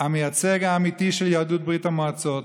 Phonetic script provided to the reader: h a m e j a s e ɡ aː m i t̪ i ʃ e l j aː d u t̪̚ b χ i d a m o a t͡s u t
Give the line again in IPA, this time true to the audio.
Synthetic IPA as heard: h a m e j a t͡s e ɡ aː m i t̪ i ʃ e l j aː d u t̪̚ b ʁ i t a m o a t͡s o t